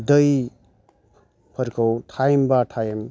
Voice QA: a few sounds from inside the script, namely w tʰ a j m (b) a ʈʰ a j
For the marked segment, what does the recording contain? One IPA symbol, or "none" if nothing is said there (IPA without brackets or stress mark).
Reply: b